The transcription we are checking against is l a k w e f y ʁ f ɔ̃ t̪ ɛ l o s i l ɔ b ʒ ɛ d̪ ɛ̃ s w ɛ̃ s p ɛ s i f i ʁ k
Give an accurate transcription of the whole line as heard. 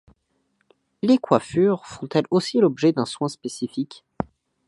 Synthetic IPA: l e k w a f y ʁ f ɔ̃ t̪ ɛ l o s i l ɔ b ʒ ɛ d̪ ɛ̃ s w ɛ̃ s p e s i f i k

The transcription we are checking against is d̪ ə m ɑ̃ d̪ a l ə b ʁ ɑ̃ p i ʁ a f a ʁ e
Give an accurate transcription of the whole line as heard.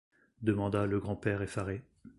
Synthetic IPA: d̪ ə m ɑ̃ d̪ a l ə ɡ ʁ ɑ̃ p ɛ ʁ e f a ʁ e

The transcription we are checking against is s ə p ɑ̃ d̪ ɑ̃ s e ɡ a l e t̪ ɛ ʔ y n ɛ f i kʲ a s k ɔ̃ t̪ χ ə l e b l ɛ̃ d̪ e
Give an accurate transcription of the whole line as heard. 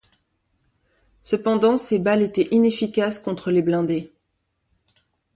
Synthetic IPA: s ə p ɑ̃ d̪ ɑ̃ s e b a l e t̪ ɛ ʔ i n e f i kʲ a s k ɔ̃ t̪ χ ə l e b l ɛ̃ d̪ e

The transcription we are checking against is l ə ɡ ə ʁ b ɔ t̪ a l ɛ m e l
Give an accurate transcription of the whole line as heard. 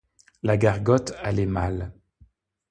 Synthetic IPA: l a ɡ a ʁ ɡ ɔ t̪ a l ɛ m a l

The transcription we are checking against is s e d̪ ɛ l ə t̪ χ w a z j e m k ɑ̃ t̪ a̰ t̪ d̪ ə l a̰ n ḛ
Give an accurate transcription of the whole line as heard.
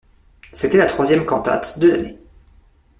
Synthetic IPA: s e t̪ ɛ l a t̪ χ w a z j ɛ m k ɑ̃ t̪ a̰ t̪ d̪ ə l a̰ n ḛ

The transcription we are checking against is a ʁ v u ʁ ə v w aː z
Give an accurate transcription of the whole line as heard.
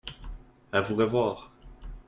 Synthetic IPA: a v u ʁ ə v w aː ʁ

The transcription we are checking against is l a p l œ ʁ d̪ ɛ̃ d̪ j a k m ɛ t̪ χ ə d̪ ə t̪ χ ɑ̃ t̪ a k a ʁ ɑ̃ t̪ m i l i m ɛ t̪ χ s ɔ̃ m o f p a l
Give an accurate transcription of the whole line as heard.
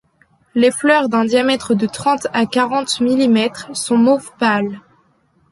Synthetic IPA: l e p l œ ʁ d̪ ɛ̃ d̪ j a m ɛ t̪ χ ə d̪ ə t̪ χ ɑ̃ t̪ a k a ʁ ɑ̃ t̪ m i l i m ɛ t̪ χ s ɔ̃ m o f p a l

